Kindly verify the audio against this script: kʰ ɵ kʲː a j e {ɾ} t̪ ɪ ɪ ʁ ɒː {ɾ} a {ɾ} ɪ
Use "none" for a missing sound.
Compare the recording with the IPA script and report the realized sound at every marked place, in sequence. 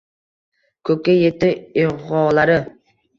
none, l, ɾ

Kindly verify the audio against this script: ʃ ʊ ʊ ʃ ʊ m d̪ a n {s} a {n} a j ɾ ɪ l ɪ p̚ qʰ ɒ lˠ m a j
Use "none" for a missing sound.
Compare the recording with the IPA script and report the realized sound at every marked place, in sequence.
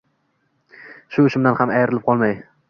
h, m

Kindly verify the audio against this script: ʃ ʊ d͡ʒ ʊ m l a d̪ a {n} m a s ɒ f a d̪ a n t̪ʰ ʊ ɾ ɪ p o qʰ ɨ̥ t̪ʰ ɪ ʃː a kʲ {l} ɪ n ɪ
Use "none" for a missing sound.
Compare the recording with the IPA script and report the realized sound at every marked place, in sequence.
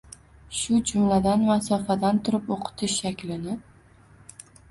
n, l

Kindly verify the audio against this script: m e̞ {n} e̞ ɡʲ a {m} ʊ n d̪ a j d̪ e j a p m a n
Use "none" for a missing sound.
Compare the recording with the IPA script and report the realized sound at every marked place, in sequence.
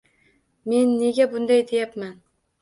nː, b

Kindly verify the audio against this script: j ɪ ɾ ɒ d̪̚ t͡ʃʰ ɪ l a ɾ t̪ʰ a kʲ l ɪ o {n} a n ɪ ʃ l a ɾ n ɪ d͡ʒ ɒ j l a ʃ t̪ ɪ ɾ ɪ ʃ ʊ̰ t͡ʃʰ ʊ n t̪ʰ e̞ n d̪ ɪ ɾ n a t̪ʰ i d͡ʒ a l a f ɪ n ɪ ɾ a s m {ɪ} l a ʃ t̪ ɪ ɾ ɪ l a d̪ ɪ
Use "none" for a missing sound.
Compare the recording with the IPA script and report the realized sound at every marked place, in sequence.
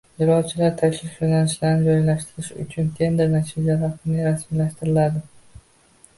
n, i

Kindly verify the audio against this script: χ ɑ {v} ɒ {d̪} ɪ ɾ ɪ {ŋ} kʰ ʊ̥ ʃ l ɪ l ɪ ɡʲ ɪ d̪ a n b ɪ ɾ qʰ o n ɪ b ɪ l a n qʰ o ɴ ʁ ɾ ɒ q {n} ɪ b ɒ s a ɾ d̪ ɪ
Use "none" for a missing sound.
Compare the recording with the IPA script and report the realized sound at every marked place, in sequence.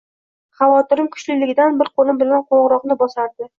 v, t̪, m, n

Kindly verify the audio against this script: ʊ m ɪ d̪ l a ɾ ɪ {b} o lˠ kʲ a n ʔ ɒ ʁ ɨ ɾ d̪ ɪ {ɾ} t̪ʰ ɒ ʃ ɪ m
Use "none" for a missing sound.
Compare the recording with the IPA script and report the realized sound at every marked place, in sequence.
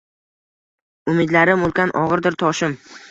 m, ɾ

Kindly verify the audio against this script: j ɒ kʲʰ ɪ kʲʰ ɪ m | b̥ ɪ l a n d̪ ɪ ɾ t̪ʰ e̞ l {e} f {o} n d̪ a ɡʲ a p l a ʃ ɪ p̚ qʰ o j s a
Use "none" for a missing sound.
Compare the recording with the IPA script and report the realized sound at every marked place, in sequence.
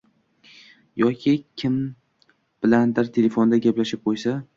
e, o

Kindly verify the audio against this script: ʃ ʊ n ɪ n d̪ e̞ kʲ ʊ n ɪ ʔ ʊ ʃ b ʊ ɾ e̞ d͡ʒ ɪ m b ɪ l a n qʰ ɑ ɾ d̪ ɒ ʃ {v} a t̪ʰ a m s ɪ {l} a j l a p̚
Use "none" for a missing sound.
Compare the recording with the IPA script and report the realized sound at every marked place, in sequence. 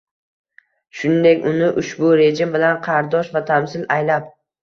v, l

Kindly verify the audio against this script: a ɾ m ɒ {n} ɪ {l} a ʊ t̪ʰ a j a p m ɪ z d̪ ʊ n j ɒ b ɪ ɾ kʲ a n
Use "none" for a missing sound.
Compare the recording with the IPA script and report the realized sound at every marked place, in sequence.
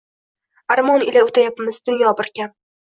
n, l

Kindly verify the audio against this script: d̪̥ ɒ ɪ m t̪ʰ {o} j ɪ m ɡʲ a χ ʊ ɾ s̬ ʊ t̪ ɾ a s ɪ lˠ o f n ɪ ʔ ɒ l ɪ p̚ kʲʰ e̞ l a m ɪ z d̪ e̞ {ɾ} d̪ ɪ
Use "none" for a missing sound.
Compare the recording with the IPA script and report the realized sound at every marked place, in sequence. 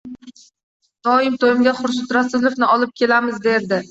o, ɾ

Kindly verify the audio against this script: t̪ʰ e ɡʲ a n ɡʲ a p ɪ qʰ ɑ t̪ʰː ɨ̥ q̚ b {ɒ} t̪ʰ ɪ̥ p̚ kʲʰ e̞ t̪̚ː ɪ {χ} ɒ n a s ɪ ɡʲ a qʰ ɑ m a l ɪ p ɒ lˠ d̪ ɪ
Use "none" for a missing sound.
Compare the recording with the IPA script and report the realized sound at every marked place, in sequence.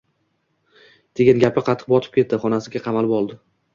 ɒ, χ

